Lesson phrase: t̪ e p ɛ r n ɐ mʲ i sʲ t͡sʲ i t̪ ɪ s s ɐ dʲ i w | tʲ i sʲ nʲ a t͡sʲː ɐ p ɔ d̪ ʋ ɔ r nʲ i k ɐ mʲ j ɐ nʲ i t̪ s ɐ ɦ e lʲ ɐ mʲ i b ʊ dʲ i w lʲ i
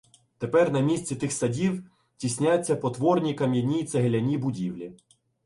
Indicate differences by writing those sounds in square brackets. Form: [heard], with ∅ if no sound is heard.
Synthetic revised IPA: t̪ e p ɛ r n ɐ mʲ i sʲ t͡sʲ i t̪ ɪ [x] s ɐ dʲ i w | tʲ i sʲ nʲ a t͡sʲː ɐ p ɔ [t̪] ʋ ɔ r nʲ i k ɐ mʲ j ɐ nʲ i t̪ s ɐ ɦ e lʲ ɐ [nʲ] i b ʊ dʲ i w lʲ i